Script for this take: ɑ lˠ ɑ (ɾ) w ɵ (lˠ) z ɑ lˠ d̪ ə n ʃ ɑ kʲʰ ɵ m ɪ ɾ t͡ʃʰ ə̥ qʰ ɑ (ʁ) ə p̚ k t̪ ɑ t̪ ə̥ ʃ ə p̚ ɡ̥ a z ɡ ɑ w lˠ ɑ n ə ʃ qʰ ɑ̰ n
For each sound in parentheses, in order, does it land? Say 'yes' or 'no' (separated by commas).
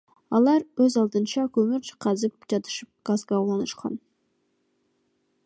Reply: yes, no, no